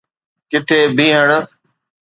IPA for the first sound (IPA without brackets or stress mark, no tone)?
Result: k